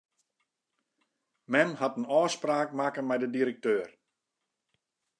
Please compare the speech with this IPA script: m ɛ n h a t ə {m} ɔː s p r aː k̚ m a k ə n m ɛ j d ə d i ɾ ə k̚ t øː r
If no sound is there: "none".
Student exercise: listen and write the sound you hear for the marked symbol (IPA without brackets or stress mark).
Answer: n